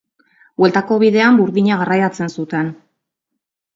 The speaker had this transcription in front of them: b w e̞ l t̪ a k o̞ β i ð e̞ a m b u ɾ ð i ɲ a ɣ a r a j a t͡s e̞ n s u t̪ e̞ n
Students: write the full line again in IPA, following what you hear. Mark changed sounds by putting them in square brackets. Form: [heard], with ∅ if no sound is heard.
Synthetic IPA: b w e̞ l t̪ a k o̞ β i ð e̞ a m b u ɾ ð i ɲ a ɣ a r a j a t͡s e̞ n s u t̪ e̞ n